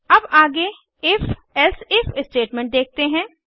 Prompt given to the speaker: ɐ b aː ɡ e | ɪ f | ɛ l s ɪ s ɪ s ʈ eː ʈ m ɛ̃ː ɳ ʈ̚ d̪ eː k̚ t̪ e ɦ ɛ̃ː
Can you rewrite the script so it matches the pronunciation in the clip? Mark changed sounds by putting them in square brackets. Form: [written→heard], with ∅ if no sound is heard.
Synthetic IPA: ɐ b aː ɡ e | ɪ f | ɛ l s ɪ [s→f] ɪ s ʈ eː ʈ m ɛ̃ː ɳ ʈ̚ d̪ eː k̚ t̪ e ɦ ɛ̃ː